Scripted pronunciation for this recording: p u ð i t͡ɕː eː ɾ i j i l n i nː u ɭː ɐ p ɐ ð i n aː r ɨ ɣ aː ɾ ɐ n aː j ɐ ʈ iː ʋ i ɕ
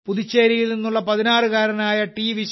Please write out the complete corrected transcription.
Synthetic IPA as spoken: p u ð i t͡ɕː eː ɾ i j i l n i nː u ɭː ɐ p ɐ ð i n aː r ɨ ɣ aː ɾ ɐ n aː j ɐ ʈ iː ʋ i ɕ